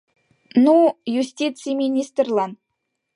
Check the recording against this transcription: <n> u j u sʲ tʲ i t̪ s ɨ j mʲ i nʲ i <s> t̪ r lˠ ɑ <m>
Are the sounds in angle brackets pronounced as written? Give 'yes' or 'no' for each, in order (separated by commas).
yes, yes, no